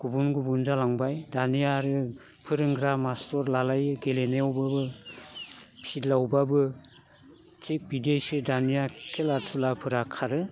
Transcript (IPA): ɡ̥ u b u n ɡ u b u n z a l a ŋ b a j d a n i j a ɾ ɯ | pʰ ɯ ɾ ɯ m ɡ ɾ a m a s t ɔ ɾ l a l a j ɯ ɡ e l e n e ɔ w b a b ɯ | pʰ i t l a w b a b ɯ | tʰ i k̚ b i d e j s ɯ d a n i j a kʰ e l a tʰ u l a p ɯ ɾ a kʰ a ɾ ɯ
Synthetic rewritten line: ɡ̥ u b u n ɡ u b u n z a l a ŋ b a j d a n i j a ɾ ɯ | pʰ ɯ ɾ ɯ ŋ ɡ ɾ a m a s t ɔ ɾ l a l a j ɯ ɡ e l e n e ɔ w b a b ɯ | pʰ i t l a w b a b ɯ | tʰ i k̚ b i d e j s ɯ d a n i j a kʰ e l a tʰ u l a pʰ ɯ ɾ a kʰ a ɾ ɯ

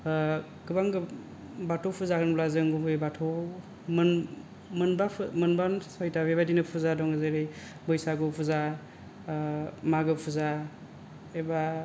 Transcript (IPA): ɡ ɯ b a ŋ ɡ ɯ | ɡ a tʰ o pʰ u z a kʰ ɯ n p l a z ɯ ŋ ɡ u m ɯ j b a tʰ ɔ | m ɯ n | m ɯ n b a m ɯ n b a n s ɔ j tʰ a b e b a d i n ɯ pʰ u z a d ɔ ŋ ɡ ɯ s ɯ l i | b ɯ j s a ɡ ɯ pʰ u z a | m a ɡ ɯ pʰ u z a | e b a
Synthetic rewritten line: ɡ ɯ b a ŋ ɡ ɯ | b a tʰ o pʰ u z a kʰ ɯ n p l a z ɯ ŋ ɡ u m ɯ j b a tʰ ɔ | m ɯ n | m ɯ n b a m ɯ n b a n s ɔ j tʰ a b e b a d i n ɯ pʰ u z a d ɔ ŋ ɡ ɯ z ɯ ɾ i | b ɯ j s a ɡ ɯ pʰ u z a | m a ɡ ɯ pʰ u z a | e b a

